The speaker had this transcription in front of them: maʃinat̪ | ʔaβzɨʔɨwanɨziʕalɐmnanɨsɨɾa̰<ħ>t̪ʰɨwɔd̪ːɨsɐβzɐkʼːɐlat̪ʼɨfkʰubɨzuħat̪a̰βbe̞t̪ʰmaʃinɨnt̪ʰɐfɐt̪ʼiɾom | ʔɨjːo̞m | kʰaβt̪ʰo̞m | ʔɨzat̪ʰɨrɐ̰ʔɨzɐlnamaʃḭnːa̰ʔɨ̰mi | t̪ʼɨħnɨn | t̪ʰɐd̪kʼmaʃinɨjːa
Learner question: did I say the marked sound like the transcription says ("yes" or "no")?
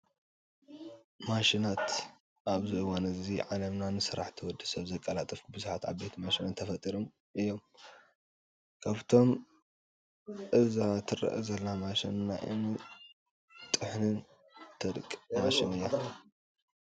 yes